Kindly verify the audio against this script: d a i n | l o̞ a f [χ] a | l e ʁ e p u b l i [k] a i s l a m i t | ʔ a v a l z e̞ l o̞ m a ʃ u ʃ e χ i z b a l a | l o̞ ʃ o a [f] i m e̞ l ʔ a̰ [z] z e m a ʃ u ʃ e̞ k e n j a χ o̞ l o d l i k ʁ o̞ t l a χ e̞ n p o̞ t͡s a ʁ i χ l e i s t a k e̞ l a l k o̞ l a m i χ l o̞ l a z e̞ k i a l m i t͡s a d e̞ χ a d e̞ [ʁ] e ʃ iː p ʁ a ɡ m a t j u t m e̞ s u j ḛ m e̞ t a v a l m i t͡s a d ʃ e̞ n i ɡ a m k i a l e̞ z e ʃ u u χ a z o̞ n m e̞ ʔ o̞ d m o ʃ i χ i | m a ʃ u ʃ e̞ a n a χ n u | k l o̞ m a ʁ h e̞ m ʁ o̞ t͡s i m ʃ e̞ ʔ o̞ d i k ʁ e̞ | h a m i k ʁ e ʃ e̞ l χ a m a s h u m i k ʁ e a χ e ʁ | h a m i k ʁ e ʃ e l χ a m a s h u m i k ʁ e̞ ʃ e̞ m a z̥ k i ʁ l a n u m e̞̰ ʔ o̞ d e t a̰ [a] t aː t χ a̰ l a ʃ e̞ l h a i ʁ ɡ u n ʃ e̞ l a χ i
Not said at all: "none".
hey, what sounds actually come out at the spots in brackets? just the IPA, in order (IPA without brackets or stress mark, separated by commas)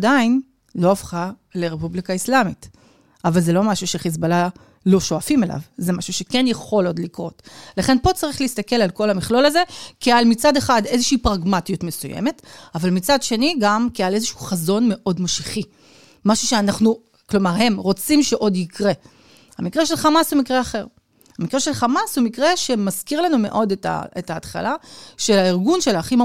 χ, k, f, v, z, e